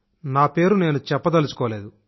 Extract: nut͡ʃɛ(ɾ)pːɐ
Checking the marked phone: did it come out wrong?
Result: yes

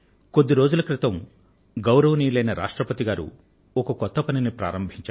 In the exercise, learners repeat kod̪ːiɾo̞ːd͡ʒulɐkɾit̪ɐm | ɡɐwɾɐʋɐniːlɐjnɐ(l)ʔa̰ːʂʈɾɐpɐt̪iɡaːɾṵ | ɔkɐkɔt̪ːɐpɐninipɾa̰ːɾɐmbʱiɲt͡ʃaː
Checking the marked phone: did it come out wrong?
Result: yes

